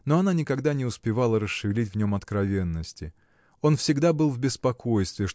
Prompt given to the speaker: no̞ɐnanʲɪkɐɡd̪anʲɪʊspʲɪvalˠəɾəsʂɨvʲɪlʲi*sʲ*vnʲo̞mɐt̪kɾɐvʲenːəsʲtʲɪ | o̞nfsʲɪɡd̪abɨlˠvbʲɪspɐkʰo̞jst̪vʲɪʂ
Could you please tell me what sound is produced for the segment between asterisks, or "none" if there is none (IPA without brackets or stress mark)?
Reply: tʲ